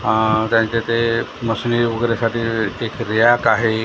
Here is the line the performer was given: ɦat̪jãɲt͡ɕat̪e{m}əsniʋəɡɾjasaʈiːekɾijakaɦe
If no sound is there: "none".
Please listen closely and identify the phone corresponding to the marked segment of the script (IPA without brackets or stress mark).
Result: m